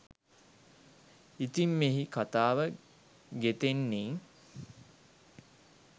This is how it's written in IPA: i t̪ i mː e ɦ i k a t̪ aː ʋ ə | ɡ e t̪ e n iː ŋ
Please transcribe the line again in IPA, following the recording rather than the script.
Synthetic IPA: i t̪ i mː e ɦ i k a t̪ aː ʋ ə | ɡ e t̪ e nː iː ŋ